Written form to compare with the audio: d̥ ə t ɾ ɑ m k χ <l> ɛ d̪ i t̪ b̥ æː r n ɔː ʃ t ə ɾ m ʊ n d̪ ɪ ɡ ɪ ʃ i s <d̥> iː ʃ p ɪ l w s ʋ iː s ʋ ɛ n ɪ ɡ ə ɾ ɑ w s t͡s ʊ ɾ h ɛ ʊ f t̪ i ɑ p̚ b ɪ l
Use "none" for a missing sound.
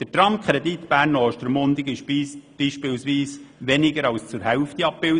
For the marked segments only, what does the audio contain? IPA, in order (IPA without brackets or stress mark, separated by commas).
ɾ, b̥